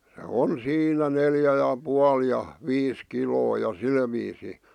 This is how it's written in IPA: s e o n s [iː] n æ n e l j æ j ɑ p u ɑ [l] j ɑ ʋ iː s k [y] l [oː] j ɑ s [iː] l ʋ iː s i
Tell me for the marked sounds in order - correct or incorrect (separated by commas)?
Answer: correct, correct, incorrect, correct, incorrect